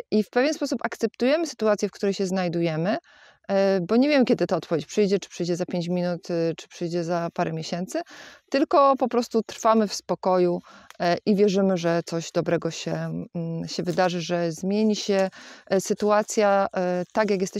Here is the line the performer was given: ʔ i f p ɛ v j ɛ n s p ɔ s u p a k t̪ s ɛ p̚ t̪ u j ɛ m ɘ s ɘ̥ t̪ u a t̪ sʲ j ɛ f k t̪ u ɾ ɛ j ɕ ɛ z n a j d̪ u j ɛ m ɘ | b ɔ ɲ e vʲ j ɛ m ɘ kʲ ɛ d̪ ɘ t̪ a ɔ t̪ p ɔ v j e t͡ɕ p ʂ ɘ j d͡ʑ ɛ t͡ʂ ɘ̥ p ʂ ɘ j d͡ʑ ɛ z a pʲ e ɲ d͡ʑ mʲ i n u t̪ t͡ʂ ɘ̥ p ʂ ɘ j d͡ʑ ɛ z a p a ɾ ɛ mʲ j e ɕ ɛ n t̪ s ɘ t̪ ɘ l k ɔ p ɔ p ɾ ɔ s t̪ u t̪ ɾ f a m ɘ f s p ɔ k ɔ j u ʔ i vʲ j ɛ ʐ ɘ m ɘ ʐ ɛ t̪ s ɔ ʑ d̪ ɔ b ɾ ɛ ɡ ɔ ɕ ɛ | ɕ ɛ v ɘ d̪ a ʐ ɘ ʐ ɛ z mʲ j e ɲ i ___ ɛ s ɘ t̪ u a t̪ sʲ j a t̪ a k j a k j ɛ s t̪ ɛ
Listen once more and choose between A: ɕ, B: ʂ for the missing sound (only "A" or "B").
A